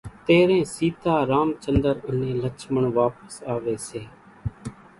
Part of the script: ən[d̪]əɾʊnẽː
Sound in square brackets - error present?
no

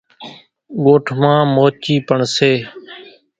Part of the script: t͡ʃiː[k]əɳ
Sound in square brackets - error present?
yes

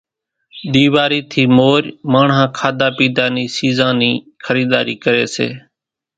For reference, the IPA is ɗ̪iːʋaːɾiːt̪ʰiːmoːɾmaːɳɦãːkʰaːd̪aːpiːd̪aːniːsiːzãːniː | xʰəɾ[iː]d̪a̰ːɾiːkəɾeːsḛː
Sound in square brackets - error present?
no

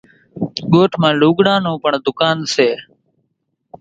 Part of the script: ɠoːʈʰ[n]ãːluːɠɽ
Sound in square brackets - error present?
yes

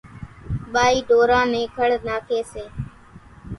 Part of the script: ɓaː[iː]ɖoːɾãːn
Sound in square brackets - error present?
no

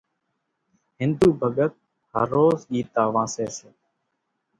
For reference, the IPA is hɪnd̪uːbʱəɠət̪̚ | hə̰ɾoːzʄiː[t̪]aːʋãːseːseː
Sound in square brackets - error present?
no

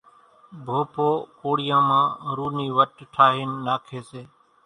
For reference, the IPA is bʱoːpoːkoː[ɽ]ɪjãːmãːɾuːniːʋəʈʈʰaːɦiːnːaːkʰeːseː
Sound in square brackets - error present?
no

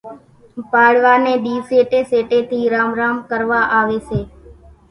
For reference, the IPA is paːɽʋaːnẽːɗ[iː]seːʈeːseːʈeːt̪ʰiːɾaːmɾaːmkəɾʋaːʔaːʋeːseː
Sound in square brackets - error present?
no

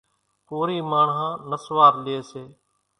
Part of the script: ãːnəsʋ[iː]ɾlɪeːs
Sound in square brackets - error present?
yes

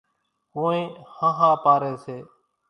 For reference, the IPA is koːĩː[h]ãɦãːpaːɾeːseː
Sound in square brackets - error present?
no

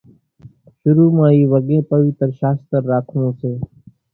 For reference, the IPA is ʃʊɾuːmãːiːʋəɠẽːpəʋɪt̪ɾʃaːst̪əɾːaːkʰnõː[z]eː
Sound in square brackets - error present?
yes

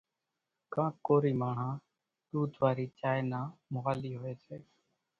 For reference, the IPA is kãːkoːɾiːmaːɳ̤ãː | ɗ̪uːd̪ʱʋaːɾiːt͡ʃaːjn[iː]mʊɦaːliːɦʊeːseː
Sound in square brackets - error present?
yes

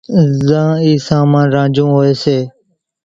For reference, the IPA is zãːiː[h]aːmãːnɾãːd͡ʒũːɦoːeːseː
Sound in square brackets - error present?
yes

